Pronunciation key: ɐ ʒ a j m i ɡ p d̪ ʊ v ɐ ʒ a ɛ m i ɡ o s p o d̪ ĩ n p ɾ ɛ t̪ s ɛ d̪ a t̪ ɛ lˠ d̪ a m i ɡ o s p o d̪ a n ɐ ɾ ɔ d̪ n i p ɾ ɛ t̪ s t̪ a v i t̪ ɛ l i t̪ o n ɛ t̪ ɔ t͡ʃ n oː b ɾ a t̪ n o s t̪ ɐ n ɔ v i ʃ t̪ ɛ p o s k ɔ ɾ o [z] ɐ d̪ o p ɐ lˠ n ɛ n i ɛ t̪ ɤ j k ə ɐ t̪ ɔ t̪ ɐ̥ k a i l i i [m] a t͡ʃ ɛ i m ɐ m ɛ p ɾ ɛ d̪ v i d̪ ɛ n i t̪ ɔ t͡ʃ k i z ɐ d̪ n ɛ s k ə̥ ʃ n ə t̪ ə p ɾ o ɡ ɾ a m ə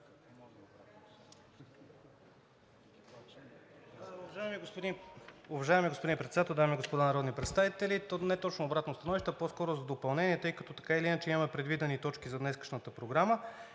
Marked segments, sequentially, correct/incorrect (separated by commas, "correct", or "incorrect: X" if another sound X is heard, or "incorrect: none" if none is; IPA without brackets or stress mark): correct, incorrect: n